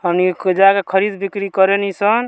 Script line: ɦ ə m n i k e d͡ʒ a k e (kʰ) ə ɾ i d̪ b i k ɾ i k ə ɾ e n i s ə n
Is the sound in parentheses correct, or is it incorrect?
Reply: correct